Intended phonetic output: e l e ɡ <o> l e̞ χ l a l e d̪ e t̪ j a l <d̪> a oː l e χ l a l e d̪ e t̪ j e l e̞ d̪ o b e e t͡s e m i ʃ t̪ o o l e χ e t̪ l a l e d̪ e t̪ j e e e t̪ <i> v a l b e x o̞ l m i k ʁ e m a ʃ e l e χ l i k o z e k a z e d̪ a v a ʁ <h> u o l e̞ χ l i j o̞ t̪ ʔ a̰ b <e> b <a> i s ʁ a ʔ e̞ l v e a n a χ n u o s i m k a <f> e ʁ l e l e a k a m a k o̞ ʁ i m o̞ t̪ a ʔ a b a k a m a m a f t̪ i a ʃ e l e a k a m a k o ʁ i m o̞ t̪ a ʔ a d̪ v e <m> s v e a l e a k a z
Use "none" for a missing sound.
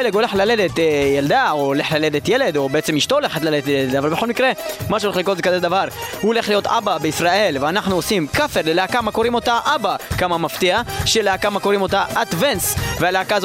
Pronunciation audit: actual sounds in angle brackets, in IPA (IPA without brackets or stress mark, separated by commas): o, d̪, a, h, a, e, f, n